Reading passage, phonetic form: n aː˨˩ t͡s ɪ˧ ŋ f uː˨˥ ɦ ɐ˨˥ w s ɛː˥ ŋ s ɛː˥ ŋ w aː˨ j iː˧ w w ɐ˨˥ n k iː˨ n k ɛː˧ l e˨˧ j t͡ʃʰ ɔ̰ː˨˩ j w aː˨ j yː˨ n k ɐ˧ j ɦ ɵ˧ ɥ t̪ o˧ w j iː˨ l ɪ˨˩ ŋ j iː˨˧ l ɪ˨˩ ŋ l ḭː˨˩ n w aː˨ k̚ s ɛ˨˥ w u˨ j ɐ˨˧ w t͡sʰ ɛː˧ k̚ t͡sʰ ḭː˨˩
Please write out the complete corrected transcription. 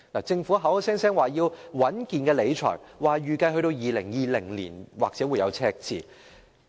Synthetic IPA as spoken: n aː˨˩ t͡s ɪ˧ ŋ f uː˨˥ ɦ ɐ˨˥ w s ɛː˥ ŋ s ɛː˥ ŋ w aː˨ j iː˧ w w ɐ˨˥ n k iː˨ n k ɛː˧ l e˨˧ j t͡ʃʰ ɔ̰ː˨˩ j w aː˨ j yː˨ k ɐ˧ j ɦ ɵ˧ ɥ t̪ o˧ w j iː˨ l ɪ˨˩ ŋ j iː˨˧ l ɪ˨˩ ŋ l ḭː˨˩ n w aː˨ k̚ t͡s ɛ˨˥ w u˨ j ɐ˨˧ w t͡sʰ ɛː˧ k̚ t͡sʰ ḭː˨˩